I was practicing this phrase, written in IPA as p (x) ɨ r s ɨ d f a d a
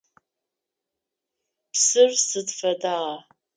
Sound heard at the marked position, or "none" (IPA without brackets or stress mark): s